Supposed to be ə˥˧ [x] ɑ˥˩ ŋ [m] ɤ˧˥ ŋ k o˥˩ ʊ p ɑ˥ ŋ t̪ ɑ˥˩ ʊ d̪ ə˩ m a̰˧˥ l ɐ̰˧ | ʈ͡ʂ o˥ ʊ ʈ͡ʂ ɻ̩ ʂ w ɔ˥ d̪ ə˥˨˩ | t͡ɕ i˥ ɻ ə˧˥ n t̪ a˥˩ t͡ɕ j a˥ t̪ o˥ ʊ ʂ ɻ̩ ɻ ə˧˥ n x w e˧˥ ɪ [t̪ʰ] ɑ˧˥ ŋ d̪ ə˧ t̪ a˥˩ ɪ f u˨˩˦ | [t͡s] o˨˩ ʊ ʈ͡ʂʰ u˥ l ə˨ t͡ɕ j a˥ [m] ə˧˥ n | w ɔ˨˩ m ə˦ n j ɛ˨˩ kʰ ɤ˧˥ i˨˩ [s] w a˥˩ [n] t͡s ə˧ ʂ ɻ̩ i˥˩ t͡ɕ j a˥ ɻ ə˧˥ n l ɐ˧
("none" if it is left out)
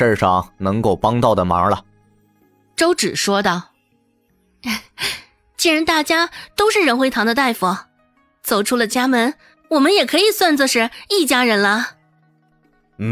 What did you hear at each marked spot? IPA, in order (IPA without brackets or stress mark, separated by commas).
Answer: ʂ, n, t̪ʰ, t͡s, m, s, n